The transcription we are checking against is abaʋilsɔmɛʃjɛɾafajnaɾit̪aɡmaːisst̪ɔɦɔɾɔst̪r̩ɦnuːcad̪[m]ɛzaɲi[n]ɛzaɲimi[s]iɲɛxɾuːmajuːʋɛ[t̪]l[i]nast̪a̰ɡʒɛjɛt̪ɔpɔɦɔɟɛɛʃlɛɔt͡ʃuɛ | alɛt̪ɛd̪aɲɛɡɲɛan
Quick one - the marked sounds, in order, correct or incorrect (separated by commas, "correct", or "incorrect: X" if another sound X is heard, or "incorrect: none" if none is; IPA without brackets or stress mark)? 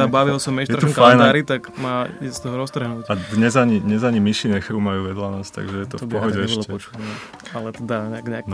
incorrect: ɲ, incorrect: ɲ, incorrect: ʃ, incorrect: d̪, incorrect: a